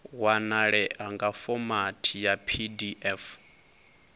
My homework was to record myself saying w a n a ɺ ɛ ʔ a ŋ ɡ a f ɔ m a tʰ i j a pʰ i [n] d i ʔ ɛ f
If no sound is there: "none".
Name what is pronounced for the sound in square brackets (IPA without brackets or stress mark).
none